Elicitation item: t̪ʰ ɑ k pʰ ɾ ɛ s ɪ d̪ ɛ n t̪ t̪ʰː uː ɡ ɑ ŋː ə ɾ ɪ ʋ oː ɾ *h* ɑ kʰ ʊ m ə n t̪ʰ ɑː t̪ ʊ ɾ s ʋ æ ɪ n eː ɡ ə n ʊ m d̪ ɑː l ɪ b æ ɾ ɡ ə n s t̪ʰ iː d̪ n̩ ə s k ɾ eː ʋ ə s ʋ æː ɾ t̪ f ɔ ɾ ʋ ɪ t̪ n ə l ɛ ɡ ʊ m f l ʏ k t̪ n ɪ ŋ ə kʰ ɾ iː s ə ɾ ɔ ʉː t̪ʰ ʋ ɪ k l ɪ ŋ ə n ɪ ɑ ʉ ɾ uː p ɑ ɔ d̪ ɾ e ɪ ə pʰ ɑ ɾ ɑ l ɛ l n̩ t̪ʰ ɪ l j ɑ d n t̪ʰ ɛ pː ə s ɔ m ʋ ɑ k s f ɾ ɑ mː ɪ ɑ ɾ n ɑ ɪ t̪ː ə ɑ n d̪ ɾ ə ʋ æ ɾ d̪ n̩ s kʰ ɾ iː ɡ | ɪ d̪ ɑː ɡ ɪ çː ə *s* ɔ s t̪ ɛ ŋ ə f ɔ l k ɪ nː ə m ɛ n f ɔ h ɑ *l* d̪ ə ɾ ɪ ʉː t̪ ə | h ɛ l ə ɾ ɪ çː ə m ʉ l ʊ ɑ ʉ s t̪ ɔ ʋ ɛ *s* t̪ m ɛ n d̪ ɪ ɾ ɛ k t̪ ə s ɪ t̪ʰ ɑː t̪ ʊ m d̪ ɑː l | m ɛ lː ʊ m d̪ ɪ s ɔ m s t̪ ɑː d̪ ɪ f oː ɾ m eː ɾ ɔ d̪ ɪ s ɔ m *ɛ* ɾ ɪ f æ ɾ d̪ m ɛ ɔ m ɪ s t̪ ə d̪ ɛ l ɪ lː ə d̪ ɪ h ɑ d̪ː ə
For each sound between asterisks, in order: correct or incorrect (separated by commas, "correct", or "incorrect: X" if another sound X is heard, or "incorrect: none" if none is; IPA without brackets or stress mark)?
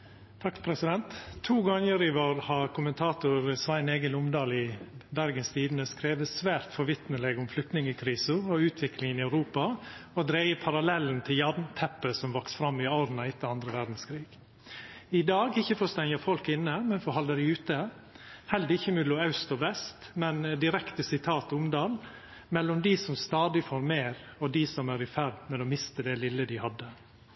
correct, incorrect: f, correct, correct, incorrect: æ